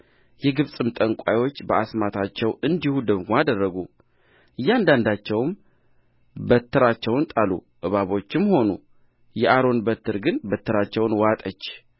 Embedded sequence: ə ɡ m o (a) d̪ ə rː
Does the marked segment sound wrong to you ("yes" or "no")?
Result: no